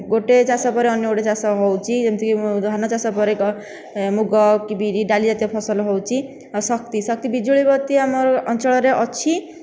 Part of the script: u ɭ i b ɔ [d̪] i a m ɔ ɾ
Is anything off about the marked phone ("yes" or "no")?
yes